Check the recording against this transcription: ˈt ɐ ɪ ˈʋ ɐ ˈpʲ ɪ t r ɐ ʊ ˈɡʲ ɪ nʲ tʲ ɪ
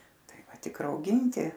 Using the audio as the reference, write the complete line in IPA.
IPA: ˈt ɐ ɪ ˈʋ ɐ ˈtʲ ɪ k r ɐ ʊ ˈɡʲ ɪ nʲ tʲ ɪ